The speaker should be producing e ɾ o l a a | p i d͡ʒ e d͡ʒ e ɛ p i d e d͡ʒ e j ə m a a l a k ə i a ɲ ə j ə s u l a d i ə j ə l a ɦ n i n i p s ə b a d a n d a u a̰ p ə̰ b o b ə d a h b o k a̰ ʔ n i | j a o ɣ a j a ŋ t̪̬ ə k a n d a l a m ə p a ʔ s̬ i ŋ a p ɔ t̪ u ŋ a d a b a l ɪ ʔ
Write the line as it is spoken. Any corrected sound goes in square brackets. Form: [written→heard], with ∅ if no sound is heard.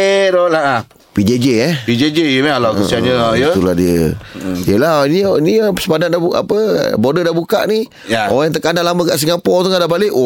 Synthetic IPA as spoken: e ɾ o l a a | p i d͡ʒ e d͡ʒ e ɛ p i [d→d͡ʒ] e d͡ʒ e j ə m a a l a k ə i a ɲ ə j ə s u l a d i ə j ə l a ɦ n i n i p s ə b a d a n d a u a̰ p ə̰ b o [b→d] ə d a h b [o→u] k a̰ ʔ n i | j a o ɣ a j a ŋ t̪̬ ə k a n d a l a m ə [p→k] a ʔ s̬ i ŋ a p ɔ t̪ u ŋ a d a b a l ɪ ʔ